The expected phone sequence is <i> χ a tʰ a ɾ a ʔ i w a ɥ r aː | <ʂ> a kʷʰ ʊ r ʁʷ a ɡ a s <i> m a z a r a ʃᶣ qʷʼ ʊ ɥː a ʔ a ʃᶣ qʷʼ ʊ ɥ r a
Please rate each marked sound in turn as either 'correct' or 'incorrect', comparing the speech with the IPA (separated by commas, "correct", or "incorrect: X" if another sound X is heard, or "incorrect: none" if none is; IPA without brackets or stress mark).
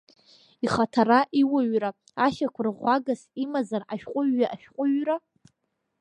correct, incorrect: ʃ, correct